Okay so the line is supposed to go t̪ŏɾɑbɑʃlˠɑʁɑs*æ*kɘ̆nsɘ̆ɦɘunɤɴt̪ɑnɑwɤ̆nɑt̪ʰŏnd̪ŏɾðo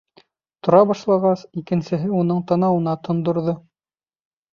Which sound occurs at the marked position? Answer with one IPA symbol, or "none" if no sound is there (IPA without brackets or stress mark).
i